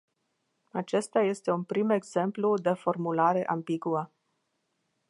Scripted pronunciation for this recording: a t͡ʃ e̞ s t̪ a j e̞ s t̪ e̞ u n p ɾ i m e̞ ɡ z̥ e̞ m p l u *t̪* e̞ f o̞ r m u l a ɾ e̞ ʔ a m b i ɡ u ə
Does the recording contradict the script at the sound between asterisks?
yes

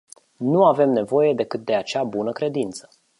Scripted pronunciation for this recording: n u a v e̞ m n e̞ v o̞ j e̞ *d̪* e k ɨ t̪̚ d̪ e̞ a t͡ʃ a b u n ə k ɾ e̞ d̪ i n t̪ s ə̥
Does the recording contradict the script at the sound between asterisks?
no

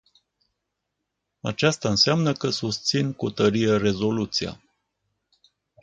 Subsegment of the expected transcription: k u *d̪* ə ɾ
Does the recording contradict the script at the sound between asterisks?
yes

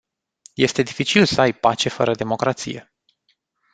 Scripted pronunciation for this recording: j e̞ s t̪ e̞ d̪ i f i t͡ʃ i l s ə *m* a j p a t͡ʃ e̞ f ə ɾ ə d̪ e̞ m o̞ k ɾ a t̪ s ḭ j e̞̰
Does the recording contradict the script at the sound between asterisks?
yes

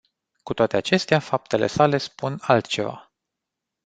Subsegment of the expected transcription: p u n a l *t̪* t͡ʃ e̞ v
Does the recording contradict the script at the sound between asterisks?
no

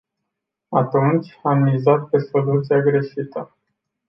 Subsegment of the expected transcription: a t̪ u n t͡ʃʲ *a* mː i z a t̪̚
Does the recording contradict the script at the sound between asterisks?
no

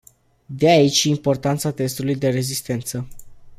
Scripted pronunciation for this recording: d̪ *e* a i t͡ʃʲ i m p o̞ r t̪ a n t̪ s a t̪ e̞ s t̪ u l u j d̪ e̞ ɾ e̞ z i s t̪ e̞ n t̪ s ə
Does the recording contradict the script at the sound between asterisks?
no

